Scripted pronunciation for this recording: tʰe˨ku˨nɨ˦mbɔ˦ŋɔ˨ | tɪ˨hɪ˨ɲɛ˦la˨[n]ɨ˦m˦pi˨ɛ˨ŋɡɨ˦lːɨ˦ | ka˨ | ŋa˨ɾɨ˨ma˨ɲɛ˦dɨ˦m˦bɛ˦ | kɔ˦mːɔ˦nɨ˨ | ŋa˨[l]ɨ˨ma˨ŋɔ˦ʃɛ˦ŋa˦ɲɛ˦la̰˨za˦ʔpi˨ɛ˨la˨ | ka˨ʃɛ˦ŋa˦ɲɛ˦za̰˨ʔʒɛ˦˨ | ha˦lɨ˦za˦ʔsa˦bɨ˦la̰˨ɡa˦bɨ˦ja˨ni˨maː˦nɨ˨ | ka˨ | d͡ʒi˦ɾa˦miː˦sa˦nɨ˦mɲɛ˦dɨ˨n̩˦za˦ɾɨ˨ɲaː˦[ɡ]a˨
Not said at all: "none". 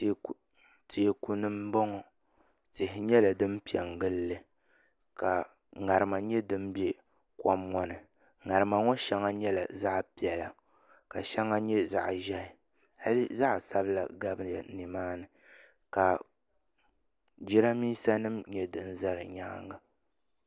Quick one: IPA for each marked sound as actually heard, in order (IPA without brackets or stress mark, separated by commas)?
d, ɾ, ŋ